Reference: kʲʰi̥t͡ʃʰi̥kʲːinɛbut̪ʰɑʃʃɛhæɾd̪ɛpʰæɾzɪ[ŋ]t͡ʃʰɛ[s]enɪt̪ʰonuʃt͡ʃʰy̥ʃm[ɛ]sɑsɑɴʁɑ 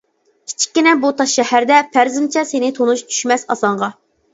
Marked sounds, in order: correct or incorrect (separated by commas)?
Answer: incorrect, correct, correct